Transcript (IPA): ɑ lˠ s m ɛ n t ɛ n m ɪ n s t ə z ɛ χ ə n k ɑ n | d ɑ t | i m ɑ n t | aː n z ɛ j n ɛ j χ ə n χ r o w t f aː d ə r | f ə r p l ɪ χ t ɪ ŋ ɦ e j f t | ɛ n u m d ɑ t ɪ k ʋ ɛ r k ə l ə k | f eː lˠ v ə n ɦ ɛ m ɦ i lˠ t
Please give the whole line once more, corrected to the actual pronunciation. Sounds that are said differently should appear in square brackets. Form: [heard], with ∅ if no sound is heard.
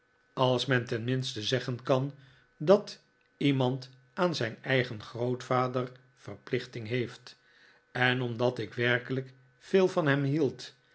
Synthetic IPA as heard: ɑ lˠ s m ɛ n t ɛ n m ɪ n s t ə z ɛ χ ə n k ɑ n | d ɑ t | i m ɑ n t | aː n z ɛ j n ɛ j χ ə n χ r o w t f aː d ə r | f ə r p l ɪ χ t ɪ ŋ ɦ e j f t | ɛ n [ɔ] m d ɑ t ɪ k ʋ ɛ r k ə l ə k | f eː lˠ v [ɑ] n ɦ ɛ m ɦ i lˠ t